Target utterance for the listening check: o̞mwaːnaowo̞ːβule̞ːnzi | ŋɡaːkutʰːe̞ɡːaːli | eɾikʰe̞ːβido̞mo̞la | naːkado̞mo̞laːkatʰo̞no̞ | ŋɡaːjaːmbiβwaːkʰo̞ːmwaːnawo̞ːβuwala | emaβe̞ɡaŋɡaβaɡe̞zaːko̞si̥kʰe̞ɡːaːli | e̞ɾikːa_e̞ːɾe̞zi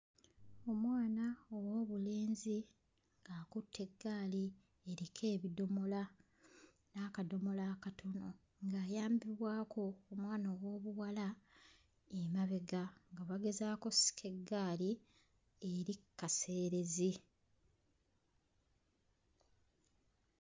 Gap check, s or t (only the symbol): s